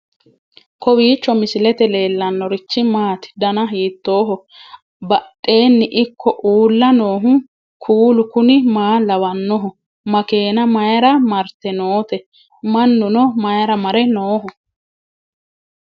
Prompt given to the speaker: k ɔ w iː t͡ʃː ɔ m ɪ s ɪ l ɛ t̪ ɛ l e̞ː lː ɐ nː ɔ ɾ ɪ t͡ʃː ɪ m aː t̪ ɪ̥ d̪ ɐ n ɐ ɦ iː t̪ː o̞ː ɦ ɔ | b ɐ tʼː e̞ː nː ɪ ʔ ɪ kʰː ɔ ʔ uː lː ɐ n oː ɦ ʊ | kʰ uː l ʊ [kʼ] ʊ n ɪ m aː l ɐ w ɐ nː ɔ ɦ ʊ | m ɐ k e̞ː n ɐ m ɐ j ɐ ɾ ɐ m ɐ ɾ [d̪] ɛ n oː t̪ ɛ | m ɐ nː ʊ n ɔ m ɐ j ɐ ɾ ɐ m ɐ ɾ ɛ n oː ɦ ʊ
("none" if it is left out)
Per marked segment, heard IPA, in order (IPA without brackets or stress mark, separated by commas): k, t̪